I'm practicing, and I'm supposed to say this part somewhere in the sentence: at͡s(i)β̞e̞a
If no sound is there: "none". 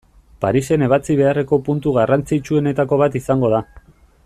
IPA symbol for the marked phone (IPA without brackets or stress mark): i